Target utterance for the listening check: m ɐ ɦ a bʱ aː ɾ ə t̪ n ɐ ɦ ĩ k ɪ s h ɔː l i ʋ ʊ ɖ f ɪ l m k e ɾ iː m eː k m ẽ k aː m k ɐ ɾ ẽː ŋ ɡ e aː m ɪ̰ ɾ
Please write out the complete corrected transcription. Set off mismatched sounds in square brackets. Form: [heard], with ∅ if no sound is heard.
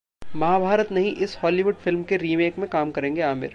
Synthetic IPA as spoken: m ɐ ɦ a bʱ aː ɾ ə t̪ n ɐ ɦ ĩ [ʔ] ɪ s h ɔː l i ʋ ʊ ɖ f ɪ l m k e ɾ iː m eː k m ẽ k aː m k ɐ ɾ ẽː ŋ ɡ e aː m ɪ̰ ɾ